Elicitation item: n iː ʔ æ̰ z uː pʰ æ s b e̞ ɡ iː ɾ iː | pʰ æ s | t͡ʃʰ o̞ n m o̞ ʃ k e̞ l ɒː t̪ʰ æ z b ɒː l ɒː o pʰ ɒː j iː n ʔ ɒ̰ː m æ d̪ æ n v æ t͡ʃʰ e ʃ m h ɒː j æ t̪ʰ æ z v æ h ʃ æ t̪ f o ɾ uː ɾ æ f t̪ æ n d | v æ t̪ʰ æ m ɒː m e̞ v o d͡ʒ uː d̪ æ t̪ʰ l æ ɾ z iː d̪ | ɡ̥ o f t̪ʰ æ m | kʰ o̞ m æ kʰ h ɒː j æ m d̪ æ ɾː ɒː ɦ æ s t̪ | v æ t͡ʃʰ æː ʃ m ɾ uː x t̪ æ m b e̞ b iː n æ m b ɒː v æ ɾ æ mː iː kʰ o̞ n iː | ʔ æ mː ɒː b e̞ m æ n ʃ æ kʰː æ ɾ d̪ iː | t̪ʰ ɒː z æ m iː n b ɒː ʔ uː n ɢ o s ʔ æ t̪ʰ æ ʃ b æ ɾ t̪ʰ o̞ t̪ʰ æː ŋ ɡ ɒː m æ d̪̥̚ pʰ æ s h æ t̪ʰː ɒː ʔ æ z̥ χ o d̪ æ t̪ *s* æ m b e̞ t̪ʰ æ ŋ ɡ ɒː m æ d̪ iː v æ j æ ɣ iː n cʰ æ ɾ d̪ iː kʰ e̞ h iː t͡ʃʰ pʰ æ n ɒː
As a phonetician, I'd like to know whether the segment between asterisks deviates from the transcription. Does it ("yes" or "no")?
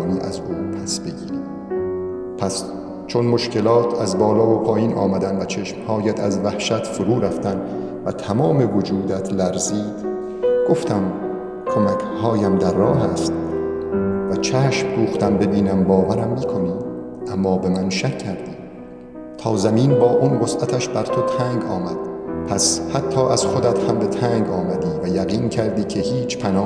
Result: yes